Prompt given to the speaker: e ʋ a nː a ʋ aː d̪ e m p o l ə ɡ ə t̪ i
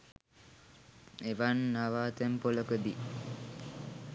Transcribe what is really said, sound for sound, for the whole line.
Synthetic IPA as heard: e ʋ a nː a ʋ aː t̪ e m p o l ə k ə d̪ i

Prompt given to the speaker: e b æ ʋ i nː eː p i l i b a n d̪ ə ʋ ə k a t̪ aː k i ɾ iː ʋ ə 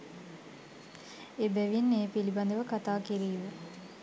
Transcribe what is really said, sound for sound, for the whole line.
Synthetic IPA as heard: e b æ ʋ i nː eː p i l i b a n d̪ ə ʋ ə k a t̪ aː k i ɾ iː ʋ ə

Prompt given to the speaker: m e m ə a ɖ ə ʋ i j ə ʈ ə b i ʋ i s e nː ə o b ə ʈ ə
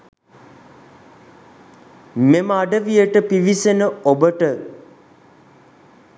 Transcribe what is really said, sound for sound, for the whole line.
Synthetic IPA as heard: m e m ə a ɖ ə ʋ i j ə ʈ ə p i ʋ i s e n ə o b ə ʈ ə

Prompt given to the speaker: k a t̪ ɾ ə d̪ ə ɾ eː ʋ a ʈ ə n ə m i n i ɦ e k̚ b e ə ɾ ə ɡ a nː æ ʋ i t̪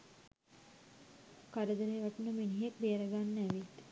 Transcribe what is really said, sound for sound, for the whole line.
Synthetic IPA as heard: k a ɾ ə d̪ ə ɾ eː ʋ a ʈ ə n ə m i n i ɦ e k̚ b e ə ɾ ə ɡ a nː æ ʋ i t̪

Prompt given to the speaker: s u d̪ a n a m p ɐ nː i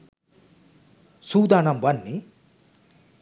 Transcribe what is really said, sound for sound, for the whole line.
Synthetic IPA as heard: s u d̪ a n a m b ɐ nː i

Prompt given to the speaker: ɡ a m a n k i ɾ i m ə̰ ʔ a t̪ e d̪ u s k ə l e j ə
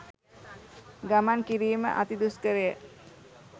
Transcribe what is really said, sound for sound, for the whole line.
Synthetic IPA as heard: ɡ a m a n k i ɾ iː m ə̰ ʔ a t̪ i d̪ u s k ə ɾ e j ə

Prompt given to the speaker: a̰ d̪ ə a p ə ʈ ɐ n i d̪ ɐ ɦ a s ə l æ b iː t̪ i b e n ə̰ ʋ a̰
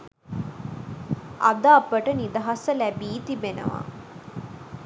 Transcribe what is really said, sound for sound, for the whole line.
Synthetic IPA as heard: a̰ d̪ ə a p ə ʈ ə n i d̪ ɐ ɦ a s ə l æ b iː t̪ i b e n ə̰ ʋ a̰

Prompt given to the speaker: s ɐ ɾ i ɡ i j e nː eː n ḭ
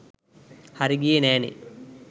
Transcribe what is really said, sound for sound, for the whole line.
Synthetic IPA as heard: h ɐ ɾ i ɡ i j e n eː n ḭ

